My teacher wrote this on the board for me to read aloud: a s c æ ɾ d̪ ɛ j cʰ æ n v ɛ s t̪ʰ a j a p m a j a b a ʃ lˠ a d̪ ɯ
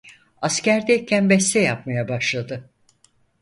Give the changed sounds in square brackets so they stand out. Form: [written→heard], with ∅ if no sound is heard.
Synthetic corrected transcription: a s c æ ɾ d̪ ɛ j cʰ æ n [v→b] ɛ s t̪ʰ [a→ɛ] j a p m a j a b a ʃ lˠ a d̪ ɯ